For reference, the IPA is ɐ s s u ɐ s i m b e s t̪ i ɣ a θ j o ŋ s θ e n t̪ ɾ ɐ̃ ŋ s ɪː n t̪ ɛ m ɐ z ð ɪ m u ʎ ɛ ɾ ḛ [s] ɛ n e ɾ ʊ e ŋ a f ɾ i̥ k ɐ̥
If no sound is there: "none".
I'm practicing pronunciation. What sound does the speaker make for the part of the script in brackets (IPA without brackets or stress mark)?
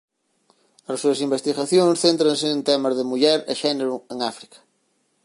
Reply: ʃ